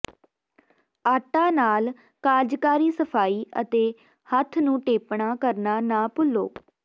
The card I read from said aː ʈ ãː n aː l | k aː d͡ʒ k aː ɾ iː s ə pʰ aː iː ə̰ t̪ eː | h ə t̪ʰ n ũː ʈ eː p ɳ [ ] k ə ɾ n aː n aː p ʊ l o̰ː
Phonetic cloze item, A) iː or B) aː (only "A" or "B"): B